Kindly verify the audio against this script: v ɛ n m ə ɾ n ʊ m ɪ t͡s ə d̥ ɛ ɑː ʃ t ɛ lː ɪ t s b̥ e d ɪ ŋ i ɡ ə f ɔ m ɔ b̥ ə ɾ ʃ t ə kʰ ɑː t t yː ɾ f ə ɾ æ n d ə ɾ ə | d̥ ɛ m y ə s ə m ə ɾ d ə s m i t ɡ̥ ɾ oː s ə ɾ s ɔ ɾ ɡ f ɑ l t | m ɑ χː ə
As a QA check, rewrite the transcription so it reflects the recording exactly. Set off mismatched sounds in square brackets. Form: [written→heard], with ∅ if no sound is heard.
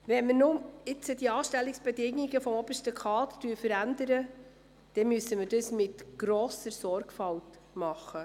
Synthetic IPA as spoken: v ɛ n m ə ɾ n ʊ m ɪ t͡s ə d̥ [ɛ→i] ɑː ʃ t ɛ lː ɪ [t→k] s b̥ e d ɪ ŋ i ɡ ə f ɔ m ɔ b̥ ə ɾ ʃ t ə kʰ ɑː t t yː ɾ f ə ɾ æ n d ə ɾ ə | d̥ ɛ m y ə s ə m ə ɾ d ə s m [i→ɪ] t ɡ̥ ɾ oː s ə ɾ s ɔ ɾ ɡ f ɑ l t | m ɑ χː ə